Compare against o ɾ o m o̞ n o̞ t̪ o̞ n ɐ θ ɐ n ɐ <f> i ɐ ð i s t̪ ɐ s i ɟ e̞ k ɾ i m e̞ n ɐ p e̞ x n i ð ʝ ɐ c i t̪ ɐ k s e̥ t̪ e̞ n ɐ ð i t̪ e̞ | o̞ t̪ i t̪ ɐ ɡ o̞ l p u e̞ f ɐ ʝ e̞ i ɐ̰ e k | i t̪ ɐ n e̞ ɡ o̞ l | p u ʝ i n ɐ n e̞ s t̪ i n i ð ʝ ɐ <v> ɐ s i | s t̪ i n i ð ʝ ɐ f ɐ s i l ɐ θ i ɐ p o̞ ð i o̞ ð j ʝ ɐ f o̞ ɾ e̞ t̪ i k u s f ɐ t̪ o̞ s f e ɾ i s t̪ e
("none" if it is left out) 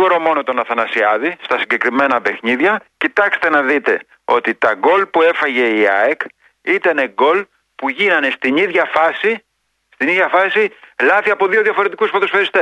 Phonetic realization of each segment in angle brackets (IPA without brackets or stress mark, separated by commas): s, f